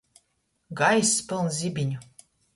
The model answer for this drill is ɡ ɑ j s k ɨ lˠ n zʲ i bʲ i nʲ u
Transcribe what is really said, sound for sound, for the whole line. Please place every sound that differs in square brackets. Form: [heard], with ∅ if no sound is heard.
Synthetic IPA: ɡ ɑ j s [p] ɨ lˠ n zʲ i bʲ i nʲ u